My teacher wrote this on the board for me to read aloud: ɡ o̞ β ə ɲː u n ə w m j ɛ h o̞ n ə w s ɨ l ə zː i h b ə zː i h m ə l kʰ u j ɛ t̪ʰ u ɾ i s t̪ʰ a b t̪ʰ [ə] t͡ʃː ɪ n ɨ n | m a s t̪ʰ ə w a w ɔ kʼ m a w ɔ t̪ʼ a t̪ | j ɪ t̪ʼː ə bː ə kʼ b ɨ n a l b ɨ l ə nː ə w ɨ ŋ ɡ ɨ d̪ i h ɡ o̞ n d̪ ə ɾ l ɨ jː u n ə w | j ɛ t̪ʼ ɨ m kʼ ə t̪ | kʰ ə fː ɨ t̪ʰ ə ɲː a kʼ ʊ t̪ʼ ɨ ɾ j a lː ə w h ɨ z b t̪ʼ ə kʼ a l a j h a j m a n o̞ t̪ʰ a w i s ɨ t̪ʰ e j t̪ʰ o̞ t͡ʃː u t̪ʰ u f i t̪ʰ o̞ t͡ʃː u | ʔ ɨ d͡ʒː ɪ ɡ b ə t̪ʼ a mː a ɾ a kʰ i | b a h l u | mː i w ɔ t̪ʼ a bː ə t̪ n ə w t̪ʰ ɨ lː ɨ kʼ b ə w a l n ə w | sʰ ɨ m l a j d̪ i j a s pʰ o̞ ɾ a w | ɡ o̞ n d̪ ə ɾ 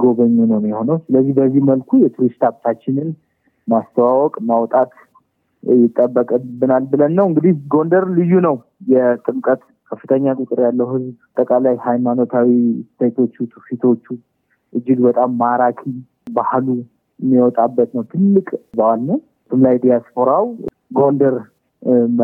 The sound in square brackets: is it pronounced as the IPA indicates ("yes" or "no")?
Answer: no